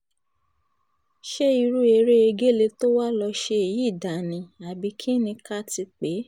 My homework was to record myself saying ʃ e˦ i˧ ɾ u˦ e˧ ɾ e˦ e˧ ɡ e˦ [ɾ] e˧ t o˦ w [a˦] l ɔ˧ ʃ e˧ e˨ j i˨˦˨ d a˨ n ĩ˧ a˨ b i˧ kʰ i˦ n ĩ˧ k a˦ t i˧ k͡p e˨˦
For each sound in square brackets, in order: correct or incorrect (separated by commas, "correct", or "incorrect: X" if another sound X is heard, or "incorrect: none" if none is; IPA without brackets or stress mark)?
incorrect: l, correct